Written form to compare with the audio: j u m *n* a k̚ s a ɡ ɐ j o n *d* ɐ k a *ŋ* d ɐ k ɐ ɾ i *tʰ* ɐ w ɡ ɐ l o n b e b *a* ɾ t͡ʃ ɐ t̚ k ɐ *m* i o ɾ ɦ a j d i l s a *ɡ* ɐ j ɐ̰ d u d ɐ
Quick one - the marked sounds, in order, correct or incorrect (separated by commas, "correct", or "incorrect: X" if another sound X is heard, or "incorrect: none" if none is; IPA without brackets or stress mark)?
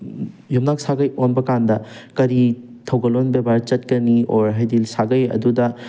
correct, incorrect: b, incorrect: n, correct, correct, incorrect: n, correct